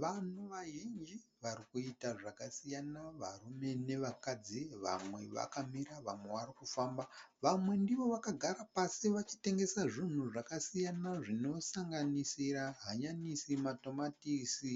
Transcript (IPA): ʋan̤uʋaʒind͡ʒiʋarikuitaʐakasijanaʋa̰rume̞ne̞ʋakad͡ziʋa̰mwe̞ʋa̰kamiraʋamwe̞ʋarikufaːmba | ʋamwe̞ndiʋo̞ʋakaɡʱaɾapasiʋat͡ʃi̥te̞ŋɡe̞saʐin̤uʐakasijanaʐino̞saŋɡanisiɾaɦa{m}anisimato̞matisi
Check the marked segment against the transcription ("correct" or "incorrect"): incorrect